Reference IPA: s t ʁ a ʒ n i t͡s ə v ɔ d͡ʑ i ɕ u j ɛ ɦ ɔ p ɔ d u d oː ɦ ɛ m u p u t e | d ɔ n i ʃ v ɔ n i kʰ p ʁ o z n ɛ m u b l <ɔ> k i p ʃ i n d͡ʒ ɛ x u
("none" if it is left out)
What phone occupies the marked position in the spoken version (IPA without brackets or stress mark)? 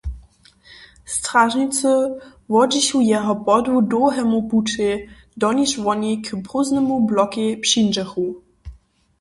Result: ɔ